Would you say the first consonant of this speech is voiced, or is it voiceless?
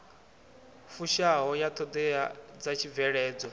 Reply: voiceless